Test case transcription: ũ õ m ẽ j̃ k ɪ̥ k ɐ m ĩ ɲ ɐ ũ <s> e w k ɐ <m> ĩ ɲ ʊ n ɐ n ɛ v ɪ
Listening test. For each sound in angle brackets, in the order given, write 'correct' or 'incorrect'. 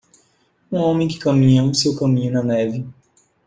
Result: correct, correct

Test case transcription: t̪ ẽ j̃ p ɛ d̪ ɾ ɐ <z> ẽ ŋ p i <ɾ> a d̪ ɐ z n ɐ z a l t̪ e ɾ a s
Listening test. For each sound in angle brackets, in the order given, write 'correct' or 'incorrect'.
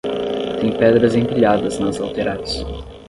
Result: correct, incorrect

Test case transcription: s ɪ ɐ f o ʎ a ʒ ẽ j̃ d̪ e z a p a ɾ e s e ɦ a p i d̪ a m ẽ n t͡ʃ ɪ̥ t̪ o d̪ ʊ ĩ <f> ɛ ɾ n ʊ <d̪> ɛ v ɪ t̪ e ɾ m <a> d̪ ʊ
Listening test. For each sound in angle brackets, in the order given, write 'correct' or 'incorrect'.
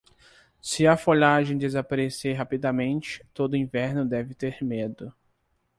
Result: incorrect, correct, incorrect

